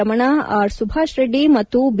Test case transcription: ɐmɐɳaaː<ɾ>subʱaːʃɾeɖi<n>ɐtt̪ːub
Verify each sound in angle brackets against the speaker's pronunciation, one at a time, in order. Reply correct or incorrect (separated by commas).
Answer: correct, incorrect